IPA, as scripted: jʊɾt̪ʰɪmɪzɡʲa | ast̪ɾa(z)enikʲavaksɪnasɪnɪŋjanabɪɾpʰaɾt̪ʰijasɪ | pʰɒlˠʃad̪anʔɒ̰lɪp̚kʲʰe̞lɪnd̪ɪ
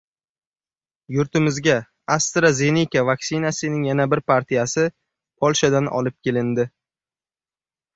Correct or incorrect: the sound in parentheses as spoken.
correct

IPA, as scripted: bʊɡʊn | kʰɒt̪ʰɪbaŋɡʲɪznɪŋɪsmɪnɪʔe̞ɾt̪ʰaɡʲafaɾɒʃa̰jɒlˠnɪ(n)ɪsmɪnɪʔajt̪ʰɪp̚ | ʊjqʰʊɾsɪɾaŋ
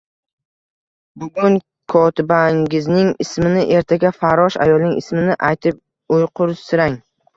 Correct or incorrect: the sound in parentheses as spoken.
incorrect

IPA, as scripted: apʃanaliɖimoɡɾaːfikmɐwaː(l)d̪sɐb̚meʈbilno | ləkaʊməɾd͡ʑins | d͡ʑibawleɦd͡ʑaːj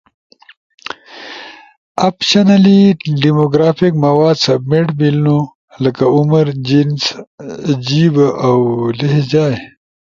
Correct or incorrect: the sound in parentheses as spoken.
incorrect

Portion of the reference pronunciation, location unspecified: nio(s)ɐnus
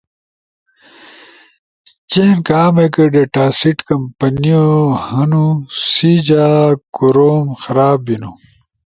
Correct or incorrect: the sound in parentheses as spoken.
incorrect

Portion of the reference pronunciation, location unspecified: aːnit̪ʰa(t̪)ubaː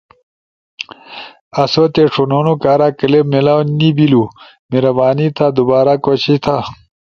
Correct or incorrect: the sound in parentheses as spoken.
incorrect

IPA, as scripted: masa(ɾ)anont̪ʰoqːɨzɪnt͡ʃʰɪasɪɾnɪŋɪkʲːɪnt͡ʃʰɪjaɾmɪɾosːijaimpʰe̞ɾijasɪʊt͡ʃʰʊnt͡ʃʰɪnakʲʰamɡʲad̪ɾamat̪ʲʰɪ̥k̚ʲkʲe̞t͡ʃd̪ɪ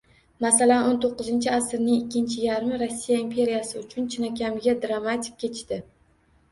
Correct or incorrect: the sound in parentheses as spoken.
incorrect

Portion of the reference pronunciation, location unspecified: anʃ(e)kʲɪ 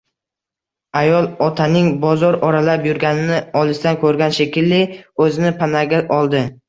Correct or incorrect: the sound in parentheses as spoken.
correct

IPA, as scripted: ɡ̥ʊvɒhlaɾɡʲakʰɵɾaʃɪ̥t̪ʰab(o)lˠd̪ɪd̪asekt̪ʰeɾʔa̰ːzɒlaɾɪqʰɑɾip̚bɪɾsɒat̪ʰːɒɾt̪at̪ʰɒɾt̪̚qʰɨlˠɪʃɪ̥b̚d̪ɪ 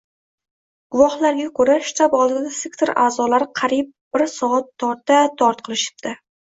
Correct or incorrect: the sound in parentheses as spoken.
incorrect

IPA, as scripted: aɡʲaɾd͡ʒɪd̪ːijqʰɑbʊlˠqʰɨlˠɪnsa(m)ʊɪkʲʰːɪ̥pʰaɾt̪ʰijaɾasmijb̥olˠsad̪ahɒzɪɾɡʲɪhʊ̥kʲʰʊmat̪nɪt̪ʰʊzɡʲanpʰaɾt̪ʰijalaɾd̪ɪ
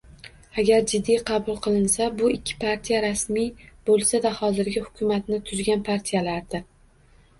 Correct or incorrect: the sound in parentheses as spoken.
incorrect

